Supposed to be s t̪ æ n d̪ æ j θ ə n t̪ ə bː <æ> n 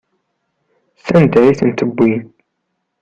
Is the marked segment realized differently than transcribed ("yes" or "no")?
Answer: yes